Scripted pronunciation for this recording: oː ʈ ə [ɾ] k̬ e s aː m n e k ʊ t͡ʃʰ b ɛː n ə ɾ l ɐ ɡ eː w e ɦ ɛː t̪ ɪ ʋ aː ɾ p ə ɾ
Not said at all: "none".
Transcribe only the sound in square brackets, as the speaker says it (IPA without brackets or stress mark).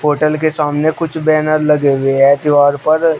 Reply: l